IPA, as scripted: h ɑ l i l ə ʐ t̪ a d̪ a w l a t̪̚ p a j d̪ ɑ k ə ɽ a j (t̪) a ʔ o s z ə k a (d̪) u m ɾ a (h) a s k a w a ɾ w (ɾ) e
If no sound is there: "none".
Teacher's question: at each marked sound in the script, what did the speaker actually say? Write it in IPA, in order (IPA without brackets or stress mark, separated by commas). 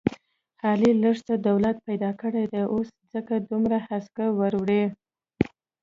d̪, d̪, h, ɽ